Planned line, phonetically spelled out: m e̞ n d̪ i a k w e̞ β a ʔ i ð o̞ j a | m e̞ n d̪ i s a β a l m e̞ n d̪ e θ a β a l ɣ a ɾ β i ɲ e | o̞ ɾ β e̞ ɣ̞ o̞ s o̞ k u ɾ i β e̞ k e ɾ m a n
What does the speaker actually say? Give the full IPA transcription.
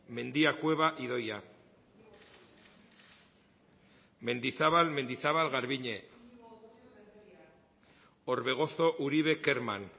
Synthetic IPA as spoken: m e̞ n d̪ i a k w e̞ β a ʔ i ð o̞ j a | m e̞ n d̪ i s a β a l m e̞ n d̪ i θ a β a l ɣ a ɾ β i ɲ e | o̞ ɾ β e̞ ɣ̞ o̞ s o̞ ʔ u ɾ i β e̞ k e ɾ m a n

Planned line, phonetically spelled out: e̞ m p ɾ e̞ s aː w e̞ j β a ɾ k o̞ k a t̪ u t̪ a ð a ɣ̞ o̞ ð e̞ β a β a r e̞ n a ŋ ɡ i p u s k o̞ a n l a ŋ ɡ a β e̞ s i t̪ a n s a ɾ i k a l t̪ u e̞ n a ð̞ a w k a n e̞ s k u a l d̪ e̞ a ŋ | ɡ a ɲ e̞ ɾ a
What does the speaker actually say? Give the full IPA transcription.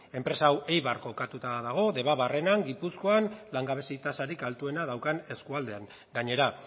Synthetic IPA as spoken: e̞ m p ɾ e̞ s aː w e̞ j β a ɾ k o̞ k a t̪ u t̪ a ð a ɣ̞ o̞ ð e̞ β a β a r e̞ n a ŋ ɡ i p u s k o̞ a n l a ŋ ɡ a β e̞ s i t̪ a s a ɾ i k a l t̪ u e̞ n a ð̞ a w k a n e̞ s k u a l d̪ e̞ a ŋ | ɡ a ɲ e̞ ɾ a

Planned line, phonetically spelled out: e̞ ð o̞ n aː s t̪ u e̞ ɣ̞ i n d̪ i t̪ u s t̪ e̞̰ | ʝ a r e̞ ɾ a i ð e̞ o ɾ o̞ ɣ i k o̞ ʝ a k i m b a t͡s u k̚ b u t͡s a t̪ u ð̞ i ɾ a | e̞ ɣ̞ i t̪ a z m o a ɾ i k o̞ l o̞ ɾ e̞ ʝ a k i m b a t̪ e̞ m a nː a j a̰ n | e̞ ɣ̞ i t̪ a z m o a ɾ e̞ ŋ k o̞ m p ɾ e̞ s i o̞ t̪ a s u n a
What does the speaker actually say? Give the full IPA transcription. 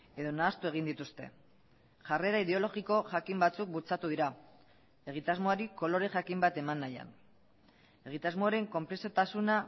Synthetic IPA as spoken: e̞ ð o̞ n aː s t̪ u e̞ ɣ̞ i n d̪ i t̪ u s t̪ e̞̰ | ʝ a r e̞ ɾ a i ð e̞ o l o̞ ɣ i k o̞ ʝ a k i m b a t͡s u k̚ b u t͡s a t̪ u ð̞ i ɾ a | e̞ ɣ̞ i t̪ a z m o a ɾ i k o̞ l o̞ ɾ e̞ ʝ a k i m b a t̪ e̞ m a nː a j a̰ n | e̞ ɣ̞ i t̪ a z m o a ɾ e̞ ŋ k o̞ m p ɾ e̞ s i o̞ t̪ a s u n a

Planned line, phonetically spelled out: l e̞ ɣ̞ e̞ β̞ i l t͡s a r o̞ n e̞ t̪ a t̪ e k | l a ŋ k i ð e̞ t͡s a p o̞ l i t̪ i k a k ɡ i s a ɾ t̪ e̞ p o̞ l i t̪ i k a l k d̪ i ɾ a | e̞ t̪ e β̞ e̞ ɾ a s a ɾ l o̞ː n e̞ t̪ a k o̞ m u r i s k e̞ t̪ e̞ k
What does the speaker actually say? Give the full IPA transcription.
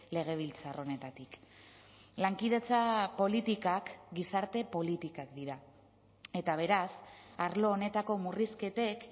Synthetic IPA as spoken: l e̞ ɣ̞ e̞ β̞ i l t͡s a r o̞ n e̞ t̪ a t̪ i k | l a ŋ k i ð e̞ t͡s a p o̞ l i t̪ i k a k ɡ i s a ɾ t̪ e̞ p o̞ l i t̪ i k a k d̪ i ɾ a | e̞ t̪ a β̞ e̞ ɾ a s a ɾ l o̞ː n e̞ t̪ a k o̞ m u r i s k e̞ t̪ e̞ k

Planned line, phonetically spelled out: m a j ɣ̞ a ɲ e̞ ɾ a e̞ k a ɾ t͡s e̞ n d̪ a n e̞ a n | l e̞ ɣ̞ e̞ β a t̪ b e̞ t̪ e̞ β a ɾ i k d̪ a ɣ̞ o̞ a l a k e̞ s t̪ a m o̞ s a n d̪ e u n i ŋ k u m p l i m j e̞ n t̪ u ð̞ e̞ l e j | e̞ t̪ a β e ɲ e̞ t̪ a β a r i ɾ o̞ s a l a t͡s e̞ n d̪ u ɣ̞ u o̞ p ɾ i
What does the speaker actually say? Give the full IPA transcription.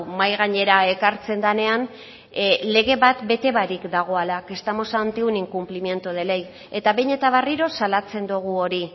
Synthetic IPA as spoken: m a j ɣ̞ a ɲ e̞ ɾ a e̞ k a ɾ t͡s e̞ n d̪ a n e̞ a n | l e̞ ɣ̞ e̞ β a t̪ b e̞ t̪ e̞ β a ɾ i k d̪ a ɣ̞ o̞ a l a k e̞ s t̪ a m o̞ s a n t̪ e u n i ŋ k u m p l i m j e̞ n t̪ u ð̞ e̞ l e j | e̞ t̪ a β e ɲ e̞ t̪ a β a r i ɾ o̞ s a l a t͡s e̞ n d̪ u ɣ̞ u o̞ ɾ i

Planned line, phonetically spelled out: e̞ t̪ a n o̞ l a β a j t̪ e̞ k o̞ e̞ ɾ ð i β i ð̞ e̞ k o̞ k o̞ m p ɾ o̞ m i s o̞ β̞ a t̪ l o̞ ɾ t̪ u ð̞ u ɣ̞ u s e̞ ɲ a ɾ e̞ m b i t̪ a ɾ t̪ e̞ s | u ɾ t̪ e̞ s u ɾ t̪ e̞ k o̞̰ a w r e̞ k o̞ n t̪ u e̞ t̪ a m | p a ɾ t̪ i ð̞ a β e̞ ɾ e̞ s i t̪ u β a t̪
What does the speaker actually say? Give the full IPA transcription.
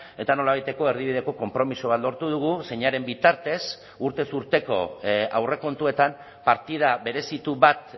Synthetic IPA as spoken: e̞ t̪ a n o̞ l a β a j t̪ e̞ k o̞ e̞ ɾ ð i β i ð̞ e̞ k o̞ k o̞ m p ɾ o̞ m i s o̞ β̞ a t̪ l o̞ ɾ t̪ u ð̞ u ɣ̞ u s e̞ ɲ a ɾ e̞ m b i t̪ a ɾ t̪ e̞ s | u ɾ t̪ e̞ s u ɾ t̪ e̞ k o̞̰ a w r e̞ k o̞ n t̪ u e̞ t̪ a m | p a ɾ t̪ i ð̞ a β e̞ ɾ e̞ s i t̪ u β a t̪

